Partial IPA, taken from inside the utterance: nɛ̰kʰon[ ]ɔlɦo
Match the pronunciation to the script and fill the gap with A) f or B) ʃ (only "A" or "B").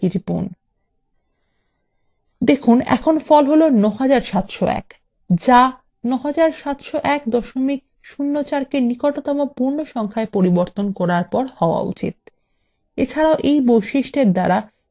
A